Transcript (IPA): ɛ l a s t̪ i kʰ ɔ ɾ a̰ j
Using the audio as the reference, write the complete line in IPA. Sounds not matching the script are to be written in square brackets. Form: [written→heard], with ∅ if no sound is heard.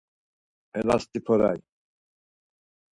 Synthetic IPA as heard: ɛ l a s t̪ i [kʰ→pʰ] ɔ ɾ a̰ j